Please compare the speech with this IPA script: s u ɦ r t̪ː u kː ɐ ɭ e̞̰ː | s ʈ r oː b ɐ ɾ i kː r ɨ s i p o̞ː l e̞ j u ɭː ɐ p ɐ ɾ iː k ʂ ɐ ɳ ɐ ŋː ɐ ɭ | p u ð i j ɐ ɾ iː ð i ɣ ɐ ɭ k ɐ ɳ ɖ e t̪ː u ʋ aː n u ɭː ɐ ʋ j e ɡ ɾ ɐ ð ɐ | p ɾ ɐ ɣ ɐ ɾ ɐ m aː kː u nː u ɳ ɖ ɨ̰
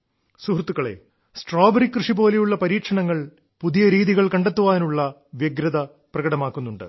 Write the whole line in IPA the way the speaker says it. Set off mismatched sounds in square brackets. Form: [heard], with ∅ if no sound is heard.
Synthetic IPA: s u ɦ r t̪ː u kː ɐ ɭ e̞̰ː | s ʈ r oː b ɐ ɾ i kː r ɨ [ʂ] i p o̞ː l e̞ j u ɭː ɐ p ɐ ɾ iː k ʂ ɐ ɳ ɐ ŋː ɐ ɭ | p u ð i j ɐ ɾ iː ð i ɣ ɐ ɭ k ɐ ɳ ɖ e t̪ː u ʋ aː n u ɭː ɐ ʋ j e ɡ ɾ ɐ ð ɐ | p [r] ɐ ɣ ɐ [ɽ] ɐ m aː kː u nː u ɳ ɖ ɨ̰